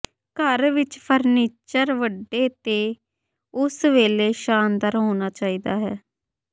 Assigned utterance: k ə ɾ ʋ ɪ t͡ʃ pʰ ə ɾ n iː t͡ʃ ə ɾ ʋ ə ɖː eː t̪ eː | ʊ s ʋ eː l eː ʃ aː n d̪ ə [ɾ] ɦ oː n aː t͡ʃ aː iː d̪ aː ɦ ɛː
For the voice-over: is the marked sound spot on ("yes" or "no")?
yes